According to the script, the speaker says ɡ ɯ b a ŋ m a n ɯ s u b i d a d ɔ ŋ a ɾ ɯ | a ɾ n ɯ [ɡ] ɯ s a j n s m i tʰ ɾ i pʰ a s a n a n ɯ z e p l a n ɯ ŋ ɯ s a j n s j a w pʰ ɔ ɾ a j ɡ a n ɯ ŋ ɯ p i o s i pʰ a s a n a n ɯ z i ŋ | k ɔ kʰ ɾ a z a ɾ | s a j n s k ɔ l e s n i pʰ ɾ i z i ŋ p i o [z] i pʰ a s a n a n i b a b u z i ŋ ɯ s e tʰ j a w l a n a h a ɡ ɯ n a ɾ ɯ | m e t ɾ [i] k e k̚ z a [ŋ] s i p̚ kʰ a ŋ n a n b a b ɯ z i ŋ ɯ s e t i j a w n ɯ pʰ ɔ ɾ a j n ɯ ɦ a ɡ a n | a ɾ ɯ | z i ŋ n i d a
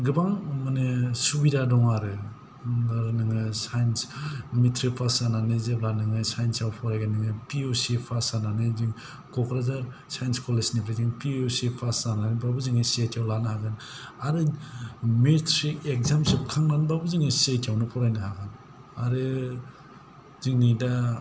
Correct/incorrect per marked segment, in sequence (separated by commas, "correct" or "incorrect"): incorrect, incorrect, correct, incorrect